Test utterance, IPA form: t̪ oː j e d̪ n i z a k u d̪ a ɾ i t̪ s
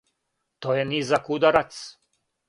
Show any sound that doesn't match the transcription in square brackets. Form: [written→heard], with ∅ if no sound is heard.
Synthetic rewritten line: t̪ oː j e [d̪→∅] n i z a k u d̪ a ɾ [i→a] t̪ s